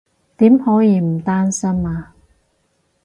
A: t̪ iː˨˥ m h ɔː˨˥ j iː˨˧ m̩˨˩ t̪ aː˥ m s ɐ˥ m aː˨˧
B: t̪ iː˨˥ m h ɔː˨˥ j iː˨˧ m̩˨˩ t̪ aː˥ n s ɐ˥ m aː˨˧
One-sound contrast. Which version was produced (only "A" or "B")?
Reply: B